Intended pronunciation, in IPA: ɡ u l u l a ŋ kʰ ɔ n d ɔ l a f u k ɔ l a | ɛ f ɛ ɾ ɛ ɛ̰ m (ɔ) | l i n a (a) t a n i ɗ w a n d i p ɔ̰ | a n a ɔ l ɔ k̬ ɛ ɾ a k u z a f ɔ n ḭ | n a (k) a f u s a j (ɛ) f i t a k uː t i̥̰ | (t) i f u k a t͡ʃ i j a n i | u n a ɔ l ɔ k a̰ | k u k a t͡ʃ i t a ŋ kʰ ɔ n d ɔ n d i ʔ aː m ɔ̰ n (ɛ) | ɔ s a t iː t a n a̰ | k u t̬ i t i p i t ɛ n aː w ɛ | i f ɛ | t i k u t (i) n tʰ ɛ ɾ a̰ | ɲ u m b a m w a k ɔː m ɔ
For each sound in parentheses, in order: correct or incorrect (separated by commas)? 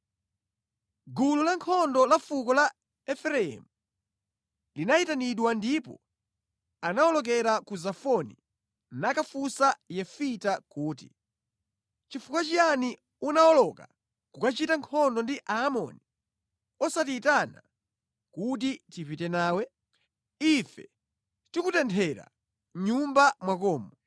incorrect, incorrect, correct, correct, incorrect, incorrect, incorrect